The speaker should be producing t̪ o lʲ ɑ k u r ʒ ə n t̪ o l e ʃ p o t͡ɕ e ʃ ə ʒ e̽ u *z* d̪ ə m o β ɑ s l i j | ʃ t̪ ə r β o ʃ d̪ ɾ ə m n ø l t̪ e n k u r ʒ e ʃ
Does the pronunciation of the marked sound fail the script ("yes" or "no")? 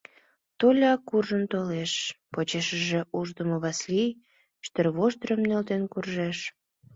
yes